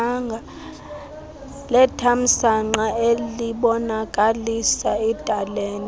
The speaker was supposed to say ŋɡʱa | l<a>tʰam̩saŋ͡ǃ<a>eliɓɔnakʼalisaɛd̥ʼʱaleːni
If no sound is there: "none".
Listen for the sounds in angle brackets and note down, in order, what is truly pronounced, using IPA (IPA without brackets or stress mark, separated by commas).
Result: ɛ, a